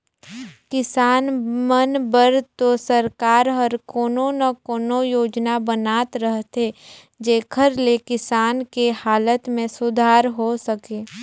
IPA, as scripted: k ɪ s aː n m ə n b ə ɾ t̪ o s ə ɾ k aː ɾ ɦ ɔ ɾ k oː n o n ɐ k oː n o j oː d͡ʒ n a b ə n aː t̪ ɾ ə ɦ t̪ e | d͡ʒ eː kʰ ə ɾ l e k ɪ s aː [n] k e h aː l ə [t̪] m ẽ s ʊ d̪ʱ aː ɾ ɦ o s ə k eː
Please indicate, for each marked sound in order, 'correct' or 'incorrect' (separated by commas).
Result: correct, correct